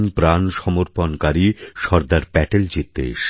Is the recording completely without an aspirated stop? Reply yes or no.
yes